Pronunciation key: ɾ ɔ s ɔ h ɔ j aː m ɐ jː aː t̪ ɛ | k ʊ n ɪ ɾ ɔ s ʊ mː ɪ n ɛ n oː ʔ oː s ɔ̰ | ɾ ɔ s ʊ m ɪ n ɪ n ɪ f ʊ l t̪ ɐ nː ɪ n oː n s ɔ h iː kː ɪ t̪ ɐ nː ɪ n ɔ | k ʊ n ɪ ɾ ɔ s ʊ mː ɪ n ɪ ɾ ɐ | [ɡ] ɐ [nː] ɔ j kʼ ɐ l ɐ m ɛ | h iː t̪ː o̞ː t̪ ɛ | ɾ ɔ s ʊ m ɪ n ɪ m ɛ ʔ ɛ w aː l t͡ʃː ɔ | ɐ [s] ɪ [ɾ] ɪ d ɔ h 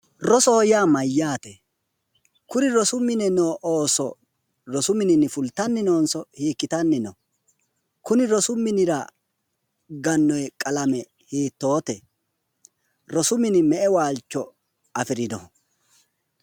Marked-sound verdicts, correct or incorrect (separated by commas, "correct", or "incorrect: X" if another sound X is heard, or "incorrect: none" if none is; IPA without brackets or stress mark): correct, correct, incorrect: f, correct